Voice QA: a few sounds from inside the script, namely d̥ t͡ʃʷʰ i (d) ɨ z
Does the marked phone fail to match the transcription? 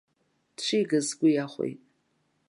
yes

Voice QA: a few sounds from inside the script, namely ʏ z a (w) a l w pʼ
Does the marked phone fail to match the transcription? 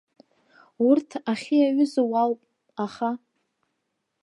no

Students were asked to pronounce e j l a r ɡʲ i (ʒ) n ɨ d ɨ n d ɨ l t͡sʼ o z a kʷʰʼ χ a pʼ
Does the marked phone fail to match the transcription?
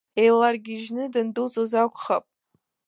no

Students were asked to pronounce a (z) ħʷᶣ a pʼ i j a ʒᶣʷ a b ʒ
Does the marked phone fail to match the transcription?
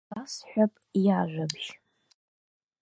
yes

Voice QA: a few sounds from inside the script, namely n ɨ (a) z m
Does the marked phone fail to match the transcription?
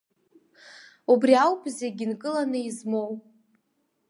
yes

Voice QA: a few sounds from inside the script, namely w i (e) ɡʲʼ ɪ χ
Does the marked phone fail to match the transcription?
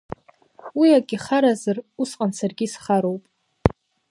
yes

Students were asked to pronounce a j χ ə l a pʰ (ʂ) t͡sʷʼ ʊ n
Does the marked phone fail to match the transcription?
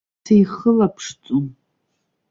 no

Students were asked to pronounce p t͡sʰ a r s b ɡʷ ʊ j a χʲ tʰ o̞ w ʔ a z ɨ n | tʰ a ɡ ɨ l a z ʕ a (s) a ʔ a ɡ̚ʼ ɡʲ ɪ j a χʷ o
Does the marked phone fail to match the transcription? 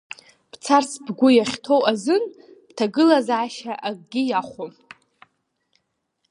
yes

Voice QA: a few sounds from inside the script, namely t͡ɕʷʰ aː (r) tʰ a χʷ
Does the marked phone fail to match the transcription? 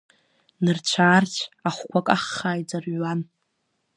no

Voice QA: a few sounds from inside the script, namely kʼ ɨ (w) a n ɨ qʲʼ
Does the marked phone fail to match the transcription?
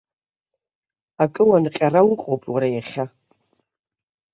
no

